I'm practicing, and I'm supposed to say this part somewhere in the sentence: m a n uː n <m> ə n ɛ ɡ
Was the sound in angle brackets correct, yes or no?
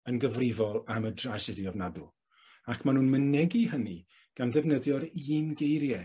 yes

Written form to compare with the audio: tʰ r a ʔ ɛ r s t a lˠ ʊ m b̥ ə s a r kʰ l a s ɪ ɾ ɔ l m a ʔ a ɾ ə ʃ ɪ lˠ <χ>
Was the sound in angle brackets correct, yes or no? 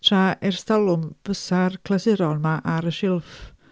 no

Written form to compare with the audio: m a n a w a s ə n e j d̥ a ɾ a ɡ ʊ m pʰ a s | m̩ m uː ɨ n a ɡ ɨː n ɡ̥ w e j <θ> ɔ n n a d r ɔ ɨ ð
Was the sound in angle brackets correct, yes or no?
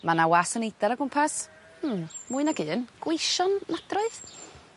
no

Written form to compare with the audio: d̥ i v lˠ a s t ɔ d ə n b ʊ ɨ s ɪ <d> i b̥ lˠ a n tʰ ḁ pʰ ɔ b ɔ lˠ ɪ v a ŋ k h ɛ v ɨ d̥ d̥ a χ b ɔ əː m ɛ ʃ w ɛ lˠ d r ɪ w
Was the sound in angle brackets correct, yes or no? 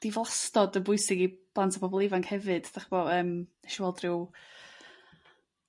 no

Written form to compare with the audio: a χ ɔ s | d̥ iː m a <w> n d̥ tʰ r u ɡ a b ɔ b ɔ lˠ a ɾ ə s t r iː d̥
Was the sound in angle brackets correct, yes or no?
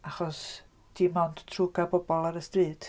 yes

